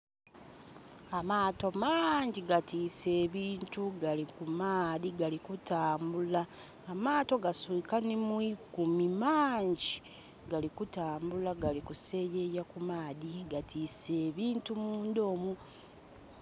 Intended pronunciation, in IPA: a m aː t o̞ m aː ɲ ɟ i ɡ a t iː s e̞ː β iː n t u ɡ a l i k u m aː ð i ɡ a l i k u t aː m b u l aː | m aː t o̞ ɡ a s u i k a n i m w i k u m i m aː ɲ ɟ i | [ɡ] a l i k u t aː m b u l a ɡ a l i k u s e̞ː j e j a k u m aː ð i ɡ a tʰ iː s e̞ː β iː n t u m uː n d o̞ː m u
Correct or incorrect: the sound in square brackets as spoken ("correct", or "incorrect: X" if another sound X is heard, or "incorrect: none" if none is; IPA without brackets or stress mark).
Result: correct